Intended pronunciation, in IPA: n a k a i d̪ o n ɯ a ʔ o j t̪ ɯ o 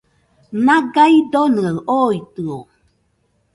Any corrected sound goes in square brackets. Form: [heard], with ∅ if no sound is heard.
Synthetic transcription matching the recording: n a [ɡ] a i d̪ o n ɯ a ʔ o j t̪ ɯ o